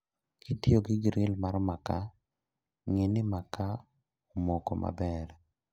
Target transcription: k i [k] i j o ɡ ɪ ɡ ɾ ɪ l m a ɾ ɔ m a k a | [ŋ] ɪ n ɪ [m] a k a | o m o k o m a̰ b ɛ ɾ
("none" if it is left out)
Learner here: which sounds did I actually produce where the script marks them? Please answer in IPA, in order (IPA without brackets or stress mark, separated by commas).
t, ŋ, m